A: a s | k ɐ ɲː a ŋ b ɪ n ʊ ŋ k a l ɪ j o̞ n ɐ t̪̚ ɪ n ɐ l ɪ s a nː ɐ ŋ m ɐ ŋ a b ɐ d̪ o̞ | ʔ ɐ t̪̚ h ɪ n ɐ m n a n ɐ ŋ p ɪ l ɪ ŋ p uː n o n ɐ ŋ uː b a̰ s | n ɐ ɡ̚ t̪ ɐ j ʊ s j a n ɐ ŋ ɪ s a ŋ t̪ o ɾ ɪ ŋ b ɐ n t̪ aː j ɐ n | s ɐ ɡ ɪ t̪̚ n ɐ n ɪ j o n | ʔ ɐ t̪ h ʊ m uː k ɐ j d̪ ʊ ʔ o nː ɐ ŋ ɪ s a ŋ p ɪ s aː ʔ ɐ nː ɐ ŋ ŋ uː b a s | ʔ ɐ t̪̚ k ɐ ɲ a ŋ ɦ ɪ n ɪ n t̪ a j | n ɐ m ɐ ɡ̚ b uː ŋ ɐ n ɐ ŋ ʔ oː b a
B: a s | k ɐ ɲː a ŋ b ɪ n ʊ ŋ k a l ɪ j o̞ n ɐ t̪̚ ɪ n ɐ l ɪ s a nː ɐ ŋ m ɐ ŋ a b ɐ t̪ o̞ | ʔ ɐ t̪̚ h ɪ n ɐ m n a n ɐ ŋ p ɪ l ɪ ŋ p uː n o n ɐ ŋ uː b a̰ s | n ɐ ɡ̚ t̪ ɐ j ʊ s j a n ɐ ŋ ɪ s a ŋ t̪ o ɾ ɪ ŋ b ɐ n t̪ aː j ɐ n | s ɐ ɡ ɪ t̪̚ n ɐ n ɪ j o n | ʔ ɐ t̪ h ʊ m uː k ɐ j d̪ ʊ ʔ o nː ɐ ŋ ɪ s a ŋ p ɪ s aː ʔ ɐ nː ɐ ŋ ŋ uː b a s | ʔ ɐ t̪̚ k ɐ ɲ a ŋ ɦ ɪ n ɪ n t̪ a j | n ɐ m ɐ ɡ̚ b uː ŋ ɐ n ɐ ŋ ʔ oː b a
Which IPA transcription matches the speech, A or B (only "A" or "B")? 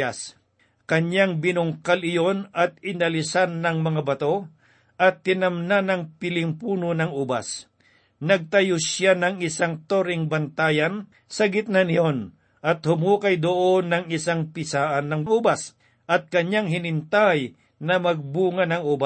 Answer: B